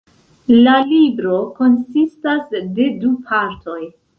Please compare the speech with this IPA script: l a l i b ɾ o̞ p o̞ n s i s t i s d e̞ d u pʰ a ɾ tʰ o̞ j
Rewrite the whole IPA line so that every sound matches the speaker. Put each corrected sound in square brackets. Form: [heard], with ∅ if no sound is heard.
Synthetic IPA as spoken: l a l i b ɾ o̞ [k] o̞ n s i s t [a] s d e̞ d u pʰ a ɾ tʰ o̞ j